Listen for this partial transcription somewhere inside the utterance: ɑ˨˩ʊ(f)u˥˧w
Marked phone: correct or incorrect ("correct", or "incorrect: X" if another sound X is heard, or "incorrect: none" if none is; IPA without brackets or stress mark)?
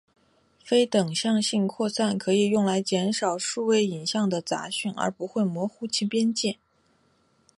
incorrect: ʂ